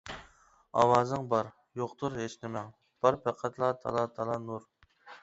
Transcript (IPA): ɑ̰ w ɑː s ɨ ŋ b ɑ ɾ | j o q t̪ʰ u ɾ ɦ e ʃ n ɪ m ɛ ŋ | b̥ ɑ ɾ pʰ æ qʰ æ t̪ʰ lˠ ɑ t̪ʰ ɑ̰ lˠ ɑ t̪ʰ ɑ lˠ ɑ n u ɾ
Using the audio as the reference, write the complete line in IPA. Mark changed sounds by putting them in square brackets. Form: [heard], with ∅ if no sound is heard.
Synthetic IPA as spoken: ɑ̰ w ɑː [z] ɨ ŋ b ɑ ɾ | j o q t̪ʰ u ɾ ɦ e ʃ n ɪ m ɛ ŋ | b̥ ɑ ɾ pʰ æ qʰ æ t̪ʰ lˠ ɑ t̪ʰ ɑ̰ lˠ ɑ t̪ʰ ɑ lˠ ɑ n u ɾ